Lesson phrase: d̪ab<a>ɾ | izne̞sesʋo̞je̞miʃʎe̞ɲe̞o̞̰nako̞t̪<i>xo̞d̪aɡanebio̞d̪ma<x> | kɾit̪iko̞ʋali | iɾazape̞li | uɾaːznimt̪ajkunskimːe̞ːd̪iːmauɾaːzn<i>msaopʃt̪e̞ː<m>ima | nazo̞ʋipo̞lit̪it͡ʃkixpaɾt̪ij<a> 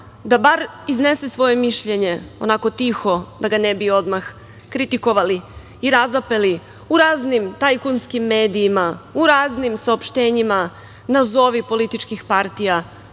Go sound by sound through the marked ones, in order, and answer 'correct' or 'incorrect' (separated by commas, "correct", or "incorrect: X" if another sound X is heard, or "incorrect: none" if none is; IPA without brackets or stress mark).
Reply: correct, correct, correct, correct, incorrect: ɲ, correct